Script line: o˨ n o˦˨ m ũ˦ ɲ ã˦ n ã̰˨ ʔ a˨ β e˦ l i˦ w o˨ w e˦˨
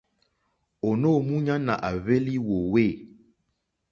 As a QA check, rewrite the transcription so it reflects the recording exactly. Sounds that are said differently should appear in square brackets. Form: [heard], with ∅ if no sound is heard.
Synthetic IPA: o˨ n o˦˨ m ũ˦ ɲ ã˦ n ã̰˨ ʔ a˨ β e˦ l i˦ w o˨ w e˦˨